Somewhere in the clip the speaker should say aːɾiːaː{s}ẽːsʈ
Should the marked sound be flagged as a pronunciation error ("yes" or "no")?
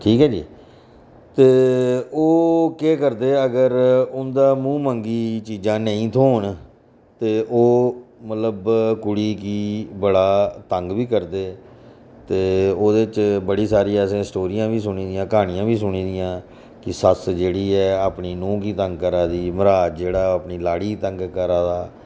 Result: no